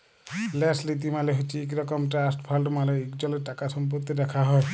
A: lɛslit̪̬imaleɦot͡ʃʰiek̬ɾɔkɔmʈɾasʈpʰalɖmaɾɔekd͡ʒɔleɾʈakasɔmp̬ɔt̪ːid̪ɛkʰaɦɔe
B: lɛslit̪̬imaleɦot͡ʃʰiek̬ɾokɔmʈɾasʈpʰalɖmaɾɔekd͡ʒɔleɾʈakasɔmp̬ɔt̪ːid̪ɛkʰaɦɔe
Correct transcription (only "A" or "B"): A